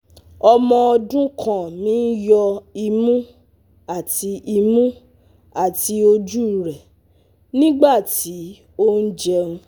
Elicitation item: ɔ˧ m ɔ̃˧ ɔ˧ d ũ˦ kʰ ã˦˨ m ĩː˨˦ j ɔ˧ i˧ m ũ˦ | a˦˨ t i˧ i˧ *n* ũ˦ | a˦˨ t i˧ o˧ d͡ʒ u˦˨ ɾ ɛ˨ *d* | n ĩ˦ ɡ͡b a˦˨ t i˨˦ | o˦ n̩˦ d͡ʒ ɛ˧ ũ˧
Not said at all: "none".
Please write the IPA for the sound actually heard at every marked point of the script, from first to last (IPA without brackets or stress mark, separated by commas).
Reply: m, none